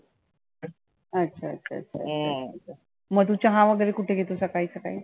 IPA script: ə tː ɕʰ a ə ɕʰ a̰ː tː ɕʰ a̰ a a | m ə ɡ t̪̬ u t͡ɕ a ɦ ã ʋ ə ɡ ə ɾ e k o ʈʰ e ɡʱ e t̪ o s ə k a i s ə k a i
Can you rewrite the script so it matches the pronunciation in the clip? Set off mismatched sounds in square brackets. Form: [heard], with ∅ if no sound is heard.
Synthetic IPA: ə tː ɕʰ a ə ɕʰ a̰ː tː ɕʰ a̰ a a | m ə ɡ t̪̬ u t͡ɕ a ɦ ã ʋ ə ɡ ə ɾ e k [u] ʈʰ e ɡʱ e t̪ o s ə k a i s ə k a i